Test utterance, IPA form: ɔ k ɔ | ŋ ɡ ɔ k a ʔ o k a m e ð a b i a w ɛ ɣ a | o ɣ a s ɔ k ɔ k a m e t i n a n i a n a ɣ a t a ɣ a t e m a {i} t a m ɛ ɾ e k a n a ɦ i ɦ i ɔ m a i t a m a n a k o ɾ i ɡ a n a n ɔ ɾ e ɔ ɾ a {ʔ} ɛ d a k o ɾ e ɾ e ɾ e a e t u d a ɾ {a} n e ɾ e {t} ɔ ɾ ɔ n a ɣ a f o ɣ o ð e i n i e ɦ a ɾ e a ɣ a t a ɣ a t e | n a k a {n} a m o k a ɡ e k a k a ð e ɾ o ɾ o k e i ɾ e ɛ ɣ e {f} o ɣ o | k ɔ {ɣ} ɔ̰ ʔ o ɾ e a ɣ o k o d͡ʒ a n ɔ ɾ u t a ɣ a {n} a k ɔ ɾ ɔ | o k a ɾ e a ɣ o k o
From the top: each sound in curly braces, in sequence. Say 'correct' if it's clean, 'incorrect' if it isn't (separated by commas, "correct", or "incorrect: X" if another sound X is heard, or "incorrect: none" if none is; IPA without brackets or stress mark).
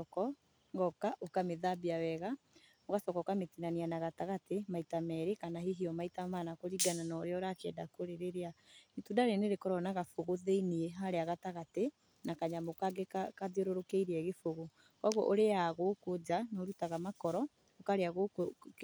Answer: correct, incorrect: k, incorrect: e, incorrect: k, incorrect: ɲ, correct, correct, incorrect: m